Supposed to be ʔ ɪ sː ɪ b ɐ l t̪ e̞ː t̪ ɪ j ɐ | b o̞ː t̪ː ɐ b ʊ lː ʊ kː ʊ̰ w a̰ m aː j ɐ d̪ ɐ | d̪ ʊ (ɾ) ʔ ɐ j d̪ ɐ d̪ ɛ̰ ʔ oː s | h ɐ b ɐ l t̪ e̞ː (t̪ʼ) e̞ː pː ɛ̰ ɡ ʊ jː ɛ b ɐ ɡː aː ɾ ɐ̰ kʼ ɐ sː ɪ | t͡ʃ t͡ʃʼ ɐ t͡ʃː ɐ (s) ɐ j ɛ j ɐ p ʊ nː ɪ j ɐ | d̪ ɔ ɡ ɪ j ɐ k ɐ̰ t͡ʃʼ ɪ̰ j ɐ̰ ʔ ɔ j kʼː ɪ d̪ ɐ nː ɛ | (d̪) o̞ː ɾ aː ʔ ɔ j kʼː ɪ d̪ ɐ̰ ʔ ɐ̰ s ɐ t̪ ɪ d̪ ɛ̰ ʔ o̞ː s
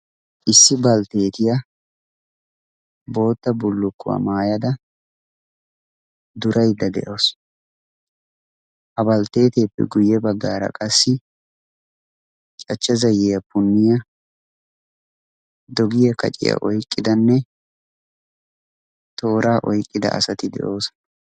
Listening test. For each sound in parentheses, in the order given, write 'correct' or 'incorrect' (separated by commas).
correct, incorrect, incorrect, incorrect